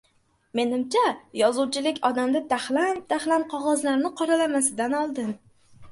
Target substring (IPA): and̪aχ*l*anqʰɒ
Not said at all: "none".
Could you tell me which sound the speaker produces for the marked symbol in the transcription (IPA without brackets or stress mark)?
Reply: l